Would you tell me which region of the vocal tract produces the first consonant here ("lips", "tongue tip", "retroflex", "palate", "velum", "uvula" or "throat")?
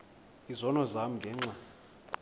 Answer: tongue tip